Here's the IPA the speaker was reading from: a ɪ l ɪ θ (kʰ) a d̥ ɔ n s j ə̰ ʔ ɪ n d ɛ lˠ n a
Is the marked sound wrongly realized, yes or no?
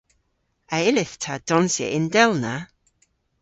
yes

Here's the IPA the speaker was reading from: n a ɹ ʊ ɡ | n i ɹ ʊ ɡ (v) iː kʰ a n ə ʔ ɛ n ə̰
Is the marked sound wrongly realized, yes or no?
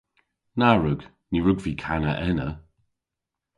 no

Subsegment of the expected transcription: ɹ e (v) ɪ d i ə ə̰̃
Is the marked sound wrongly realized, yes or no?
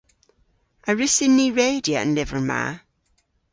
yes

